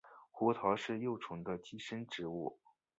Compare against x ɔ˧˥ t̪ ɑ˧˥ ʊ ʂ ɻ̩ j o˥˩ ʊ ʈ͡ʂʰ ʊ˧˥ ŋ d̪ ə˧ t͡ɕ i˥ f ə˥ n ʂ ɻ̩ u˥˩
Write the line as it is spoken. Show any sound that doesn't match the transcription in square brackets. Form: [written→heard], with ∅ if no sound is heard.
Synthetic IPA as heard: x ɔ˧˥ [t̪→t̪ʰ] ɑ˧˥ ʊ ʂ ɻ̩ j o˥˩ ʊ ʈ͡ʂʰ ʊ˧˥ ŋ d̪ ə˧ t͡ɕ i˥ [f→ʂ] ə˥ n [ʂ→ʈ͡ʂ] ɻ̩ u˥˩